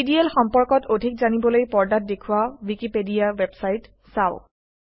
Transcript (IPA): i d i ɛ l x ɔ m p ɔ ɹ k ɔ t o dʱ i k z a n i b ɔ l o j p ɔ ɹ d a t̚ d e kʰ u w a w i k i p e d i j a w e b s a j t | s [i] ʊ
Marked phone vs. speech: incorrect: a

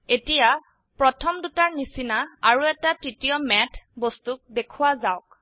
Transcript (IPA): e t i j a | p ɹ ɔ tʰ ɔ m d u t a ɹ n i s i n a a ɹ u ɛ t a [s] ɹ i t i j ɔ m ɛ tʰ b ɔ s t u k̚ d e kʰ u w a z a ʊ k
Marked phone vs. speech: incorrect: t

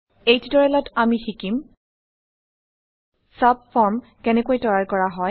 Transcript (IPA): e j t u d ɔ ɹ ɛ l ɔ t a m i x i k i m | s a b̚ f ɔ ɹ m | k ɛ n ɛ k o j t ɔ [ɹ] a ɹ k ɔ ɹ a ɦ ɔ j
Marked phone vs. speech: correct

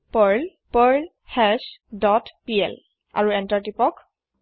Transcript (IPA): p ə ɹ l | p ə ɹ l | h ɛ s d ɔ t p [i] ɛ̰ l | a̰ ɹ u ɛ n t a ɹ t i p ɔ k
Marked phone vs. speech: correct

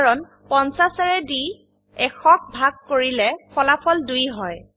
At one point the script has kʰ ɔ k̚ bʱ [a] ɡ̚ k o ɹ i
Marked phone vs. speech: correct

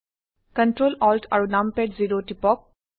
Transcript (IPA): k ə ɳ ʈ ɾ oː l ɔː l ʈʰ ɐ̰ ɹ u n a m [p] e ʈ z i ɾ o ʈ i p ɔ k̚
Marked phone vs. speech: correct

